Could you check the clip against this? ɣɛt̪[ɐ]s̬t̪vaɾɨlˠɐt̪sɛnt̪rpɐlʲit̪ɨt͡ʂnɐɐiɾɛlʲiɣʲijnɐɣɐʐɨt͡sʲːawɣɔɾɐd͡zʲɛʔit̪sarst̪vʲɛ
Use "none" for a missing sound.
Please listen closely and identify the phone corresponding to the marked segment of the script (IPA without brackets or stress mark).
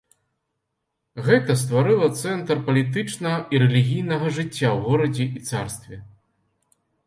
ɐ